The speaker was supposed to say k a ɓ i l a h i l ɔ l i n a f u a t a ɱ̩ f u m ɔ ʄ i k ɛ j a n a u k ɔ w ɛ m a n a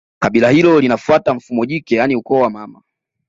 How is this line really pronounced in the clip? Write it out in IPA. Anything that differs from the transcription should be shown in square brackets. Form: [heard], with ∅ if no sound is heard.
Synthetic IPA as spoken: k a ɓ i l a h i l ɔ l i n a f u a t a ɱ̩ f u m ɔ ʄ i k ɛ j a n [i] u k ɔ w [a] m a [m] a